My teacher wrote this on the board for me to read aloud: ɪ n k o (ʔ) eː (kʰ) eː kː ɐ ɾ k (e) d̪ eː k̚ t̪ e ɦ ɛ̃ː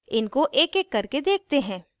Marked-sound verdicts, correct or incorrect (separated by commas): correct, incorrect, correct